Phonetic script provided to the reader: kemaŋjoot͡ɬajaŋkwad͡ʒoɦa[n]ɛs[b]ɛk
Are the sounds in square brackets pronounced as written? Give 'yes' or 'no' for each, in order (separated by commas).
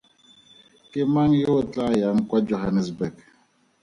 yes, yes